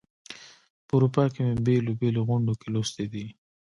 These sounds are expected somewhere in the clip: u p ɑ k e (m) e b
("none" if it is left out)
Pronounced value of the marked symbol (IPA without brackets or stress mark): m